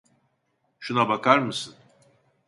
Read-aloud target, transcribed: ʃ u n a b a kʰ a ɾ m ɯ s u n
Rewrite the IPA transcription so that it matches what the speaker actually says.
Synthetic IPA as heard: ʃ u n a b a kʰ a ɾ m ɯ s ɯ n